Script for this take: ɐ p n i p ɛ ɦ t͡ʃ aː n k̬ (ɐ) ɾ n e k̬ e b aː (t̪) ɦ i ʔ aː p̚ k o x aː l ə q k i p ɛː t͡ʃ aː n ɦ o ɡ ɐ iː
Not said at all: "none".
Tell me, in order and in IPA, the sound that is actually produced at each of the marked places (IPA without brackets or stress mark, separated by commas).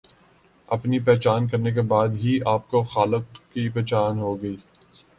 ɐ, d̪